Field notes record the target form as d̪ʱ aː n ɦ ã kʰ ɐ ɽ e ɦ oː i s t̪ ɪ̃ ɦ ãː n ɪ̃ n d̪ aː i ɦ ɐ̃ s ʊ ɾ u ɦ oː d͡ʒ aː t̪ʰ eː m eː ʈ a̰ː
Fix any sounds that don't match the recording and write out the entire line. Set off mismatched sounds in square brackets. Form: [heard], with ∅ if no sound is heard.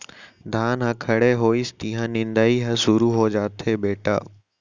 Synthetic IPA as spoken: d̪ʱ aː n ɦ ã kʰ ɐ ɽ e ɦ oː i s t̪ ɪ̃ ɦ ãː n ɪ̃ n d̪ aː i ɦ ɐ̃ s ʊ ɾ u ɦ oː d͡ʒ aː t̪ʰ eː [b] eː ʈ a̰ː